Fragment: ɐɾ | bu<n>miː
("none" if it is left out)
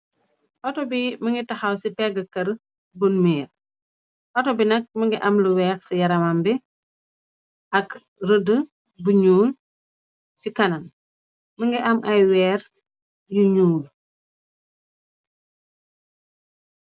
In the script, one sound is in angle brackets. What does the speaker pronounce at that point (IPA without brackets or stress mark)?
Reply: n